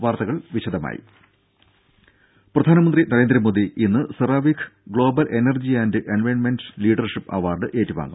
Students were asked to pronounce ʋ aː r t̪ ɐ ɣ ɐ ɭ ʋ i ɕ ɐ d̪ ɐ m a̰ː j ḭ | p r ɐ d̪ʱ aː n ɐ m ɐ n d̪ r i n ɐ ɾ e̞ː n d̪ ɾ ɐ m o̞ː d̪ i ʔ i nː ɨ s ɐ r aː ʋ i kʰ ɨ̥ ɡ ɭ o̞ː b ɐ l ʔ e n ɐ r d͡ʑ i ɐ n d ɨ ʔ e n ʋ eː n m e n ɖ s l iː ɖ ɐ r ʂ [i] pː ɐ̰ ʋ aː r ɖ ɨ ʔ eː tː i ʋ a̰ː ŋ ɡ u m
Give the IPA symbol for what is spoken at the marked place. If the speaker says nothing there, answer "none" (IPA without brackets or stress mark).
i